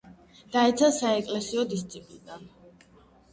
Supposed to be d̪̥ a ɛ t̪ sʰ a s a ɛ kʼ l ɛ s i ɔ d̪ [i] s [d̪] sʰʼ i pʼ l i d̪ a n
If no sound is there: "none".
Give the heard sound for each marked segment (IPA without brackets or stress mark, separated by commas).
i, t̪